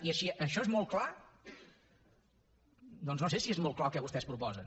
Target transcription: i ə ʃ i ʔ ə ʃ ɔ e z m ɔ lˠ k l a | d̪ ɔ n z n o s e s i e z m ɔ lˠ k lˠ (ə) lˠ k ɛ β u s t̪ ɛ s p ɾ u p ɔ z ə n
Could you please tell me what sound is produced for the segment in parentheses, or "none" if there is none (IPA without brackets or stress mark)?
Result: a